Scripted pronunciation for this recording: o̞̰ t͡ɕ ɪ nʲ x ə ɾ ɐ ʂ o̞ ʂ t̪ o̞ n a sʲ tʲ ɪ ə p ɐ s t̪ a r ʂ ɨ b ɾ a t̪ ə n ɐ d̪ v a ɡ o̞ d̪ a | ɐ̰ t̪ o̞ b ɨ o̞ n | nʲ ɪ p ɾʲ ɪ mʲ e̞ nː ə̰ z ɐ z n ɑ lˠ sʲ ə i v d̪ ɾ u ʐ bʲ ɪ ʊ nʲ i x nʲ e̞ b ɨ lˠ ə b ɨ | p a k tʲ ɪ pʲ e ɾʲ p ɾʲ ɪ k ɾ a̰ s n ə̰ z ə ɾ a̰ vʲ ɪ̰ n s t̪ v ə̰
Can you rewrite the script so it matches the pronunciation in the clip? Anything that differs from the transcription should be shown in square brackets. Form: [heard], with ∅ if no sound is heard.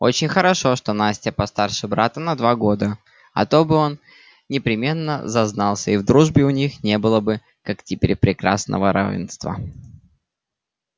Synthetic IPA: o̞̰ t͡ɕ ɪ nʲ x ə ɾ ɐ ʂ o̞ ʂ t̪ o̞ n a sʲ tʲ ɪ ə p ɐ s t̪ a r ʂ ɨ b ɾ a t̪ ə n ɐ d̪ v a ɡ o̞ d̪ [ə] | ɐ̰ t̪ o̞ b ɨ o̞ n | nʲ ɪ p ɾʲ ɪ mʲ e̞ nː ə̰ z ɐ z n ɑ lˠ sʲ ə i v d̪ ɾ u ʐ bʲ ɪ ʊ nʲ i x nʲ e̞ b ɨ lˠ ə b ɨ | [k] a k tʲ ɪ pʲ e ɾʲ p ɾʲ ɪ k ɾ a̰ s n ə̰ [v] ə ɾ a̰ vʲ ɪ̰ n s t̪ v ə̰